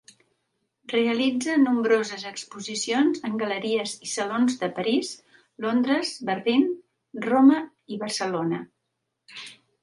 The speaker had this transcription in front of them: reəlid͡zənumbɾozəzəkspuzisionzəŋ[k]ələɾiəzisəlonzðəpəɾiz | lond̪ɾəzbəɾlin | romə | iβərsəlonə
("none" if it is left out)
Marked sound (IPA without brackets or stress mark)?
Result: ɡ